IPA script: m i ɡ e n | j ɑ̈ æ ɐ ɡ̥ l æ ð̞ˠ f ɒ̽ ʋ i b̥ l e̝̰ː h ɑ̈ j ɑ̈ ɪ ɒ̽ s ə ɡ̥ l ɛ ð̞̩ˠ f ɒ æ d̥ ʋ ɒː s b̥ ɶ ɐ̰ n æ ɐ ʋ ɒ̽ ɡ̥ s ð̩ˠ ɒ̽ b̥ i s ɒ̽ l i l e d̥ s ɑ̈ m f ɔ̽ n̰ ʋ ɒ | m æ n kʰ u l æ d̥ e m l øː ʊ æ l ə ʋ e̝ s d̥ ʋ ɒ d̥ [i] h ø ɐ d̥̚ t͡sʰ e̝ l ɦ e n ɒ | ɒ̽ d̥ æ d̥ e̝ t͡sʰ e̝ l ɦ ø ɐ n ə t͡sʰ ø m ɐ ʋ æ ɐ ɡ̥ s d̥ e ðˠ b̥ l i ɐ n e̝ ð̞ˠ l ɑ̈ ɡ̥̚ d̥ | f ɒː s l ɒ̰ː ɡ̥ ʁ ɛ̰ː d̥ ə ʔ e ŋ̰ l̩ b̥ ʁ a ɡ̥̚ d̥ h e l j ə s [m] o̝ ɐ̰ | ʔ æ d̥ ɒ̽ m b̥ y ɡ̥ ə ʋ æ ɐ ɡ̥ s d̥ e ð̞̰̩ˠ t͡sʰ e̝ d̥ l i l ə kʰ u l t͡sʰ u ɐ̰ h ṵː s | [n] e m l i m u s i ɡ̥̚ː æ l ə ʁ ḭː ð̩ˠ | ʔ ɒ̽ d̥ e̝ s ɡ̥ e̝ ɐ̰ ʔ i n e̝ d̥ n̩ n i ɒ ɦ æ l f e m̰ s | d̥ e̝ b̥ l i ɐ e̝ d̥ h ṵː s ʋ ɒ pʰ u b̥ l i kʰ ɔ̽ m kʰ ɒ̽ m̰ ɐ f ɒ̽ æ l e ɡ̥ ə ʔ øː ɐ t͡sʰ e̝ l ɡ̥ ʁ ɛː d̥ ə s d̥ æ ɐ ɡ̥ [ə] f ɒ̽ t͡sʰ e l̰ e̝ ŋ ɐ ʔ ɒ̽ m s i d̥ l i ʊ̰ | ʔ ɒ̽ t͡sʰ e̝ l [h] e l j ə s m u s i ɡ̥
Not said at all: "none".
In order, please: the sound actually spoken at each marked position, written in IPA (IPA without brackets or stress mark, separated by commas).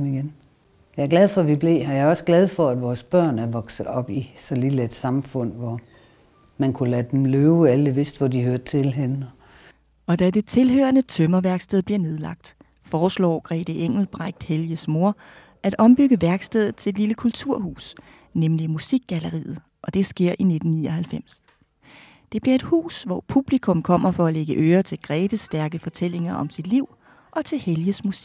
i, m, n, ə, h